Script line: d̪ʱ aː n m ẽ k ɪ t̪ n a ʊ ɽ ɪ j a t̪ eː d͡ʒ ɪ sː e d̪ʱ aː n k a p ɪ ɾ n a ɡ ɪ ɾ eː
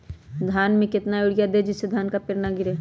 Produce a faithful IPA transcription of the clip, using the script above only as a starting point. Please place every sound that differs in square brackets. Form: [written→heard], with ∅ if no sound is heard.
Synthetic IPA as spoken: d̪ʱ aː n m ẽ k ɪ t̪ n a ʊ ɽ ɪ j a [t̪→d̪] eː d͡ʒ ɪ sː e d̪ʱ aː n k a p ɪ ɾ n a ɡ ɪ ɾ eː